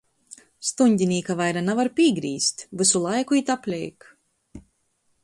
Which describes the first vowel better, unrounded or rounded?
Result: rounded